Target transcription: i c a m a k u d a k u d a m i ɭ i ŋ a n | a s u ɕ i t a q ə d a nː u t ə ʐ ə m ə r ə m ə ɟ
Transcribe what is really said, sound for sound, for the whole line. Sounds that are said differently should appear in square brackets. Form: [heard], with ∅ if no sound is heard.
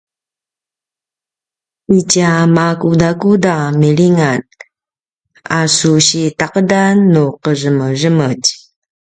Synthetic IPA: i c a m a k u d a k u d a m i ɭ i ŋ a n | a s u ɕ i t a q ə d a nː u [q] ə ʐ ə m ə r ə m ə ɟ